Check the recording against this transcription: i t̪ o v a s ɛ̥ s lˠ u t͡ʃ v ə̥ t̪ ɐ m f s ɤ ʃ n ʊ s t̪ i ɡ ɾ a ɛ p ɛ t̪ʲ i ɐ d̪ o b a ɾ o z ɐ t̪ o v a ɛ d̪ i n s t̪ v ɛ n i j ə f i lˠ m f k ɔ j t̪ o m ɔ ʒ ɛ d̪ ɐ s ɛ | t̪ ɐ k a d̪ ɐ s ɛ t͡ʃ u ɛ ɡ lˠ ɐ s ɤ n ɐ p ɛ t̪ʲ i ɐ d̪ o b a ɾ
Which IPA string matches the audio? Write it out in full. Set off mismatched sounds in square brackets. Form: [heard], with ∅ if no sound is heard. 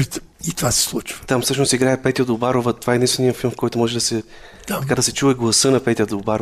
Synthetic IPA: i t̪ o v a s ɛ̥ s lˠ u t͡ʃ v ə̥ t̪ [a] m f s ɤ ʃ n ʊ s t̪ i ɡ ɾ a ɛ p ɛ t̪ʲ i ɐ d̪ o b a ɾ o [v] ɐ t̪ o v a ɛ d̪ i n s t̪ v ɛ n i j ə f i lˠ m f k ɔ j t̪ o m ɔ ʒ ɛ d̪ ɐ s ɛ | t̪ ɐ k a d̪ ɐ s ɛ t͡ʃ u ɛ ɡ lˠ ɐ s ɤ n ɐ p ɛ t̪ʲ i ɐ d̪ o b a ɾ